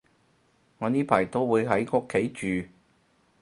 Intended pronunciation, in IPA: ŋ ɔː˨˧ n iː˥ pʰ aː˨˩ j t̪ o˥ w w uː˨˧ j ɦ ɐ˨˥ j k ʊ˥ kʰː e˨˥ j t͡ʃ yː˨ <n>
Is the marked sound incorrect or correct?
incorrect